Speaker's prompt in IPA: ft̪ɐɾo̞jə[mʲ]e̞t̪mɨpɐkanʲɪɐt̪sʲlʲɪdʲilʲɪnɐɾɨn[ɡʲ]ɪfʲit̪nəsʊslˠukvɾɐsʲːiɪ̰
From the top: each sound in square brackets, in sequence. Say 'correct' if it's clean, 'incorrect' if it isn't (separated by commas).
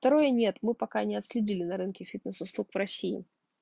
incorrect, incorrect